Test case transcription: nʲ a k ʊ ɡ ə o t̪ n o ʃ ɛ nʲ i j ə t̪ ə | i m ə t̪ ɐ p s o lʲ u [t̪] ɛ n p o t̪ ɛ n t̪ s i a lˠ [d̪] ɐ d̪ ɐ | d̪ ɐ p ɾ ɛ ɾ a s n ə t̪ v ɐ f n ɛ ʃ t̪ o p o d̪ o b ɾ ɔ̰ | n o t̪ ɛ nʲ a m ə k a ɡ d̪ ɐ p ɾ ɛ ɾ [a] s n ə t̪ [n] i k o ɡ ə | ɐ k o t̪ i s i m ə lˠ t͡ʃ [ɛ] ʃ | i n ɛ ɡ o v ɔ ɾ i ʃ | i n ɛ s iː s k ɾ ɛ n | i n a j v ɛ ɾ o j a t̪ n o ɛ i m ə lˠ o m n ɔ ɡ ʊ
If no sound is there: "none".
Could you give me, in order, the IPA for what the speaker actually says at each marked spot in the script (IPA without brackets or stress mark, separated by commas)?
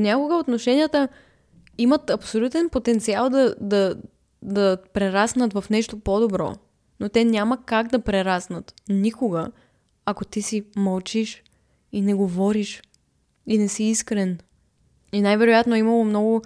t̪, d̪, a, n, i